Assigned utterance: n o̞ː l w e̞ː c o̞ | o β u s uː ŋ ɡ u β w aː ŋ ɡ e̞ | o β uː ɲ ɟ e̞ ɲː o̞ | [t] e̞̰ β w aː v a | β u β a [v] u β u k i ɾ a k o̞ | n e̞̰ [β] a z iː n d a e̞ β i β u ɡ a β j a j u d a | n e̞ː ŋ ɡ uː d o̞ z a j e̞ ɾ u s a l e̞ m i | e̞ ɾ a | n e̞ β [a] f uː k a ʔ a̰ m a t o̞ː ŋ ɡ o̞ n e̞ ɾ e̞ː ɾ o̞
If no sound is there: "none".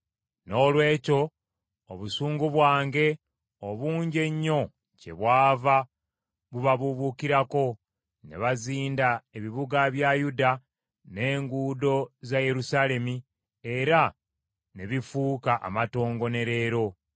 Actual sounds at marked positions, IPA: c, β, β, i

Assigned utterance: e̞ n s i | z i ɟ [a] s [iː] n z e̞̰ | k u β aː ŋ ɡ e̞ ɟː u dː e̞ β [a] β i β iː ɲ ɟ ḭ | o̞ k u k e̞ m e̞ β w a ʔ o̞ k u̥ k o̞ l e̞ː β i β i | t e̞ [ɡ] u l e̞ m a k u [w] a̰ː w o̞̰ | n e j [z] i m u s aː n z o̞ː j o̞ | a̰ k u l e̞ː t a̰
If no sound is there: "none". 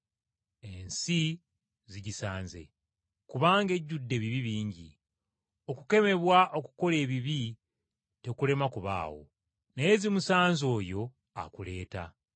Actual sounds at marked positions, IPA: i, aː, i, k, β, z

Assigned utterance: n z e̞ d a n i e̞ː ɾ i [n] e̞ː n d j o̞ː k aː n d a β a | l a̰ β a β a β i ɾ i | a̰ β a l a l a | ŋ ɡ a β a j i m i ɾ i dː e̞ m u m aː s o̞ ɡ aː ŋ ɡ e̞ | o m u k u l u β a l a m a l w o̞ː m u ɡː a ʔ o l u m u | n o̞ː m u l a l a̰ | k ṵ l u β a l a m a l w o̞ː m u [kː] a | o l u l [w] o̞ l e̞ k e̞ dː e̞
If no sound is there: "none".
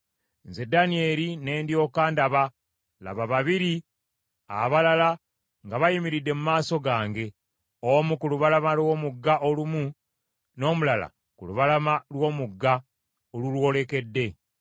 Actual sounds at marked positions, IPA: n, ɡː, w

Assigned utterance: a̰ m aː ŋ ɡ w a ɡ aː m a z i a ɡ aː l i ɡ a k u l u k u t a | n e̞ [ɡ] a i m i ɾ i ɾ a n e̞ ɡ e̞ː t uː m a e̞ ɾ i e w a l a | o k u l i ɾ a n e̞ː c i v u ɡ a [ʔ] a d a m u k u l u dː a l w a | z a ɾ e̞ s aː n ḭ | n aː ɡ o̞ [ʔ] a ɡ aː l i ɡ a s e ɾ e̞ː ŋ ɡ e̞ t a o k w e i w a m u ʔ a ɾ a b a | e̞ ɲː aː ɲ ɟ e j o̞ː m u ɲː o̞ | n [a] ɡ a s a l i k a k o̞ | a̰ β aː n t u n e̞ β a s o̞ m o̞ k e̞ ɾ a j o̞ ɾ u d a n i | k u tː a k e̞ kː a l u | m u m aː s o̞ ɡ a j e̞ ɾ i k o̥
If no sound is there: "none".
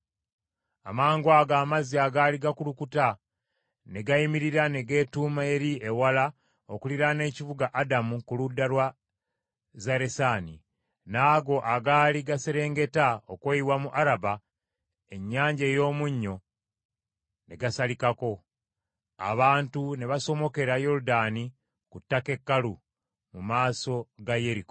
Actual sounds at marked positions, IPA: ɡ, ʔ, ʔ, e

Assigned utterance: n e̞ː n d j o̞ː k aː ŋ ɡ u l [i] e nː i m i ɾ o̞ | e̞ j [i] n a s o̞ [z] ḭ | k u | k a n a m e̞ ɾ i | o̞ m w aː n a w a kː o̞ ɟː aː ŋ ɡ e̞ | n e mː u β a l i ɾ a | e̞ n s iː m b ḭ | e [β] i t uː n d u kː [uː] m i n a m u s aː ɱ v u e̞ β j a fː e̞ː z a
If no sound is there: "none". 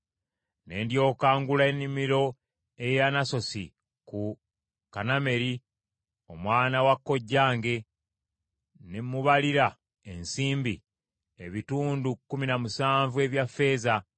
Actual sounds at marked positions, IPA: a, a, s, β, u

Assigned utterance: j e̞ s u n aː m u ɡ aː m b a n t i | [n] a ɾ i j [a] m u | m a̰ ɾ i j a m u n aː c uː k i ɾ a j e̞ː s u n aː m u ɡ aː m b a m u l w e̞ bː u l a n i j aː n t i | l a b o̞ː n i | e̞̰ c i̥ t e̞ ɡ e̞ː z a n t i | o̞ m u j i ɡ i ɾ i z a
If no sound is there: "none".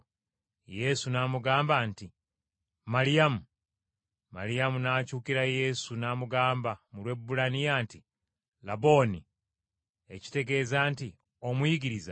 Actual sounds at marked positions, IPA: m, a

